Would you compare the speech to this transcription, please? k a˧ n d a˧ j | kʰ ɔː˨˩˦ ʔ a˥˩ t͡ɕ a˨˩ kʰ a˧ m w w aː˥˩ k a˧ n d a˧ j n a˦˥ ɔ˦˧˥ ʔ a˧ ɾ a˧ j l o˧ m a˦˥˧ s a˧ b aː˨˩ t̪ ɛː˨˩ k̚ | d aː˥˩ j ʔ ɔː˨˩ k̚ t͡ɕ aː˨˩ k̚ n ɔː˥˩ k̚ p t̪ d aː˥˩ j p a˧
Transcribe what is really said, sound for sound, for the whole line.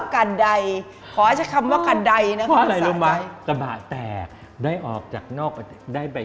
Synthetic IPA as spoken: k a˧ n d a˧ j | kʰ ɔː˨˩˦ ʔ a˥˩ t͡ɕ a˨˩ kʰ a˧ m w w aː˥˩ k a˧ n d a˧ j n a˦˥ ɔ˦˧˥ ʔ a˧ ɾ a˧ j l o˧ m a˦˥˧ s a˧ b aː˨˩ t̪ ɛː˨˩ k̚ | d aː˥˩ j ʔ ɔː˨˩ k̚ t͡ɕ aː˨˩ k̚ n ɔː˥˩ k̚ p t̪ d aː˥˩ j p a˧

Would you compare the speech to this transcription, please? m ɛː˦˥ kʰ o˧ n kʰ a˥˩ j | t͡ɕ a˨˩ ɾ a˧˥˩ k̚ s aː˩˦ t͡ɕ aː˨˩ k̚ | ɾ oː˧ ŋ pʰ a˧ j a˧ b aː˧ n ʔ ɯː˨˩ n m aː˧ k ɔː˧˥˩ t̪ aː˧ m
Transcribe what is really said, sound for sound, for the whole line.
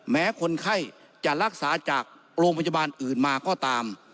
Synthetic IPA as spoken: m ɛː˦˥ kʰ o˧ n kʰ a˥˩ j | t͡ɕ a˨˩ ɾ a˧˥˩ k̚ s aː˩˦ t͡ɕ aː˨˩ k̚ | ɾ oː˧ ŋ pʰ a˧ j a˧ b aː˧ n ʔ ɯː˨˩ n m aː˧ k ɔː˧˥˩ t̪ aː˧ m

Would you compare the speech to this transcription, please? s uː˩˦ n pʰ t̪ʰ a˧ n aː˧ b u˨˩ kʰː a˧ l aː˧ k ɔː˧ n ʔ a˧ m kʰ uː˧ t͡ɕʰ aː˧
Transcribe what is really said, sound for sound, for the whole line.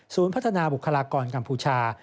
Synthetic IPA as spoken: s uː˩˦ n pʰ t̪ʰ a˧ n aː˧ b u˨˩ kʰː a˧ l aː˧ k ɔː˧ n k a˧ m pʰ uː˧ t͡ɕʰ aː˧

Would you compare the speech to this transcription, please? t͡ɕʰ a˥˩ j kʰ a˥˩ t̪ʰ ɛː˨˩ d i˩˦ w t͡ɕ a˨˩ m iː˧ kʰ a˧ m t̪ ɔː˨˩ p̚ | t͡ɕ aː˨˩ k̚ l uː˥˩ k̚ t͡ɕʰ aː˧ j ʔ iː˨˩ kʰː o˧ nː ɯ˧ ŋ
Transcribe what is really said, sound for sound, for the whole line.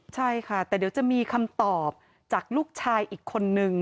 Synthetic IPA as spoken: t͡ɕʰ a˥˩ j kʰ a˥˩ t̪ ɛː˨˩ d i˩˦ w t͡ɕ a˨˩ m iː˧ kʰ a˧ m t̪ ɔː˨˩ p̚ | t͡ɕ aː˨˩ k̚ l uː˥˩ k̚ t͡ɕʰ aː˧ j ʔ iː˨˩ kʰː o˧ nː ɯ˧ ŋ

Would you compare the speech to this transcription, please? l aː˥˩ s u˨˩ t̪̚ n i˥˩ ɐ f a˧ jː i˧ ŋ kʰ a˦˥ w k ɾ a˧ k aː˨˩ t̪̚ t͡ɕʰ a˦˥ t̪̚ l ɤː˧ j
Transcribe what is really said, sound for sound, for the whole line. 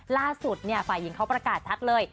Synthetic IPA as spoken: l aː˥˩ s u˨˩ t̪̚ n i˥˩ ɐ f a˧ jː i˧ ŋ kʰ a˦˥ w p ɾ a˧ k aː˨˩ t̪̚ t͡ɕʰ a˦˥ t̪̚ l ɤː˧ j

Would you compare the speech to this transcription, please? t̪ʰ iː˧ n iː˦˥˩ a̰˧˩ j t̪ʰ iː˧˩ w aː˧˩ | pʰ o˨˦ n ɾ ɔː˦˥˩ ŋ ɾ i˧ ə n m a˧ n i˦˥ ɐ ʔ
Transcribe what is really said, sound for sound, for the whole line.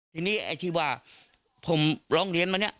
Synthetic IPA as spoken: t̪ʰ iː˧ n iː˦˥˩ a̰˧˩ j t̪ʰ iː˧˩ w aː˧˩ | pʰ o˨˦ m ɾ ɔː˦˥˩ ŋ ɾ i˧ ə n m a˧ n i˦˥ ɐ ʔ

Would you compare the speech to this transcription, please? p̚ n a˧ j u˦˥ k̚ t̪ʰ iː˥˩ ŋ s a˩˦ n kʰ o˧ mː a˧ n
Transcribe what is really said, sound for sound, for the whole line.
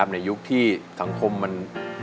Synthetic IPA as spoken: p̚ n a˧ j u˦˥ k̚ t̪ʰ iː˥˩ s a˩˦ ŋ kʰ o˧ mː a˧ n

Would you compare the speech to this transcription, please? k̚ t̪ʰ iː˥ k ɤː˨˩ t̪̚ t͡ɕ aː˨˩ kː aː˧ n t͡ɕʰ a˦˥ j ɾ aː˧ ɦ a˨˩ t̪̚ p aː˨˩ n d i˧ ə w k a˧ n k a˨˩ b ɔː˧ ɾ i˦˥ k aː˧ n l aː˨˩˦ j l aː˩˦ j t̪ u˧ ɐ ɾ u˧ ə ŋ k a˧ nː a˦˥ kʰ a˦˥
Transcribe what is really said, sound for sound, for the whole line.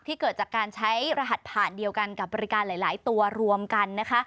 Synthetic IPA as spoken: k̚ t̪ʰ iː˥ k ɤː˨˩ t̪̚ t͡ɕ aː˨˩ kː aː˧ n t͡ɕʰ a˦˥ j ɾ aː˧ ɦ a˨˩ t̪̚ pʰ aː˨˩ n d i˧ ə w k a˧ n k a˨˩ b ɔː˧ ɾ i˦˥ k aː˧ n l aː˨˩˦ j l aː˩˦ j t̪ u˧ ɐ ɾ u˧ ə m k a˧ nː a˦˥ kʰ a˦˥

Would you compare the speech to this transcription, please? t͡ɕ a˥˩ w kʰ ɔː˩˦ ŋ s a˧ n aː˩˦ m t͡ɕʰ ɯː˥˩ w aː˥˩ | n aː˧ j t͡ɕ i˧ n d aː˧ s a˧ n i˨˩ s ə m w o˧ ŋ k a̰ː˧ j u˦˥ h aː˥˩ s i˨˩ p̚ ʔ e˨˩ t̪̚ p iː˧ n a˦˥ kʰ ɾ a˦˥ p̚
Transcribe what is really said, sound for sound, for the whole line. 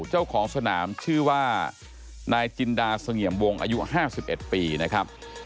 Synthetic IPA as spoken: t͡ɕ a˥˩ w kʰ ɔː˩˦ ŋ s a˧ n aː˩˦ m t͡ɕʰ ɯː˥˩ w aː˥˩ | n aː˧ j t͡ɕ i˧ n d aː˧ s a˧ ŋ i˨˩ ə m w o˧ ŋ ʔ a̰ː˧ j u˦˥ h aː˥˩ s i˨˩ p̚ ʔ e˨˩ t̪̚ p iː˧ n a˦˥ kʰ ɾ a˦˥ p̚

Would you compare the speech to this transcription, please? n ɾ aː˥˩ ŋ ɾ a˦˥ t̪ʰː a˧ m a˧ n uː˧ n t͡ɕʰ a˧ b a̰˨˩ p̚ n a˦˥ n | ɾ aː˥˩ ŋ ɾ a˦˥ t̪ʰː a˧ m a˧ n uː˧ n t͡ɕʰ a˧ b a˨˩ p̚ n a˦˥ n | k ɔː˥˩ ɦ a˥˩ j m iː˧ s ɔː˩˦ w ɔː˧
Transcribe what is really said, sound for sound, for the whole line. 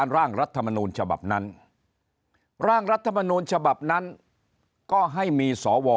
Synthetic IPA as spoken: n ɾ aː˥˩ ŋ ɾ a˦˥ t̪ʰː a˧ m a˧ n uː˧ n t͡ɕʰ a˧ b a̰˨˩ p̚ n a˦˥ n | ɾ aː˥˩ ŋ ɾ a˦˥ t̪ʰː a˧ m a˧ n uː˧ n t͡ɕʰ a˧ b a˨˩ p̚ n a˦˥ n | k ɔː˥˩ ɦ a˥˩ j m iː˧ s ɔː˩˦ w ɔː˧

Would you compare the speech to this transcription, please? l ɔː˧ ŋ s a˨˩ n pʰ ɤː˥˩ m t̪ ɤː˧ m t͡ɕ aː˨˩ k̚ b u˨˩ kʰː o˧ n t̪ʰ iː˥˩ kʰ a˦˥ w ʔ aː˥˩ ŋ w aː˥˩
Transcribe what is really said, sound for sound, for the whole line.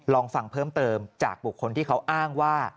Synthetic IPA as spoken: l ɔː˧ ŋ f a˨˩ ŋ pʰ ɤː˥˩ m t̪ ɤː˧ m t͡ɕ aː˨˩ k̚ b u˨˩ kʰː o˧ n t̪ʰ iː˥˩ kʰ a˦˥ w ʔ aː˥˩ ŋ w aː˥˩

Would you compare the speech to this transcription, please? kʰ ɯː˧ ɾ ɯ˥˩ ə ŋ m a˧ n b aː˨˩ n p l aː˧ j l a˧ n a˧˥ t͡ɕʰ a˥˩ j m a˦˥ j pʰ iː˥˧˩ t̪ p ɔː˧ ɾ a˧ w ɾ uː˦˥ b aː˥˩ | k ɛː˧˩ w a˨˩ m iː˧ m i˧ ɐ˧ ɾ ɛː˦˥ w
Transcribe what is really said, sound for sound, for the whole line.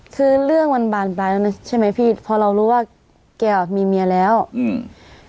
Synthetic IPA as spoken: kʰ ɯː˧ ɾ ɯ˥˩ ə ŋ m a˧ n b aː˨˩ n p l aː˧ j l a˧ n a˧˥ t͡ɕʰ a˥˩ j m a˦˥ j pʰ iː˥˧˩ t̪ pʰ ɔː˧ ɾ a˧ w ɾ uː˦˥ w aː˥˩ | k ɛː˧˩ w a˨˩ m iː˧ m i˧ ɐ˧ l ɛː˦˥ w

